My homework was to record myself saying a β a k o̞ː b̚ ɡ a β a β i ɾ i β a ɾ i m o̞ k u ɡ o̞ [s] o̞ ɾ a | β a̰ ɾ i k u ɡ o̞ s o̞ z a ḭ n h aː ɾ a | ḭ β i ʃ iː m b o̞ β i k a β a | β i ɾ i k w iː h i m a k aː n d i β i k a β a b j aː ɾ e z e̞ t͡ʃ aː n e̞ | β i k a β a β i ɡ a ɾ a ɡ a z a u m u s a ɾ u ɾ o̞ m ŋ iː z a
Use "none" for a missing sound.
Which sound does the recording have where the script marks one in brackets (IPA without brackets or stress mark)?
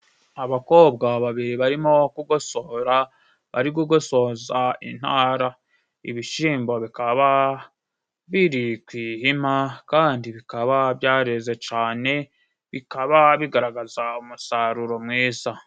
s